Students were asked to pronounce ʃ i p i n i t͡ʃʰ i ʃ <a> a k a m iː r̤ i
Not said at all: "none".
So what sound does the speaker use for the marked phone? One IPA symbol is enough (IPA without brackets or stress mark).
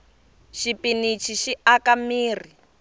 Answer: i